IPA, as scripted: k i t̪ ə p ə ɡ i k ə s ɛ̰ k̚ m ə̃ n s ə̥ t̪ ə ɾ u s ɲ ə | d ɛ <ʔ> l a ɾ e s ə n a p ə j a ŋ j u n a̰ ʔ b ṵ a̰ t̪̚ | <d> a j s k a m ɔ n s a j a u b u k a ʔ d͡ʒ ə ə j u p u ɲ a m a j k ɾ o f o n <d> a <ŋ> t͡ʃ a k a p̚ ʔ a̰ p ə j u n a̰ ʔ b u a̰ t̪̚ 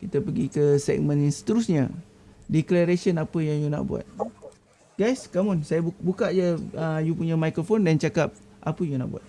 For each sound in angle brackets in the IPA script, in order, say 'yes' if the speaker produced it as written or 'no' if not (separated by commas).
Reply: no, no, yes, no